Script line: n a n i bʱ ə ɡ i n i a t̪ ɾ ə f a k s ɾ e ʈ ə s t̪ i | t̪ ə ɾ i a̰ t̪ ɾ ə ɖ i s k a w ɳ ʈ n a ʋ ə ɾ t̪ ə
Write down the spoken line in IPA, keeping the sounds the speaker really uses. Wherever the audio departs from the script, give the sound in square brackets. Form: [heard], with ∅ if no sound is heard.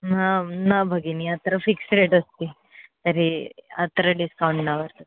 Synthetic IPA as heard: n a n [a] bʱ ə ɡ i n i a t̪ ɾ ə f [i] k s ɾ e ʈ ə s t̪ i | t̪ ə ɾ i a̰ t̪ ɾ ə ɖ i s k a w ɳ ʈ n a ʋ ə ɾ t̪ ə